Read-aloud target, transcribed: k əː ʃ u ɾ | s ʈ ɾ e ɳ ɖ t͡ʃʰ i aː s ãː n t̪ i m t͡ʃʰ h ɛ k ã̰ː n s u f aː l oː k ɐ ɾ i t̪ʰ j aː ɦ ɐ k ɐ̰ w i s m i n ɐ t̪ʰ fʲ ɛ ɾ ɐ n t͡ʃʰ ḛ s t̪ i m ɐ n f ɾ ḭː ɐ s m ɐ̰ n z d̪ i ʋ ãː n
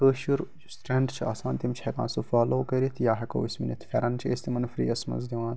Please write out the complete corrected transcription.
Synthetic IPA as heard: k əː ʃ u ɾ | s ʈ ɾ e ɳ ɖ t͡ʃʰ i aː s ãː n t̪ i m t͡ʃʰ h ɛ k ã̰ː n s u f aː l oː k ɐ ɾ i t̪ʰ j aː ɦ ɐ k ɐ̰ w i s m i n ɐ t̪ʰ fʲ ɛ ɾ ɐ n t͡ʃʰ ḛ s t̪ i m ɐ n f ɾ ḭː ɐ s m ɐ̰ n z d̪ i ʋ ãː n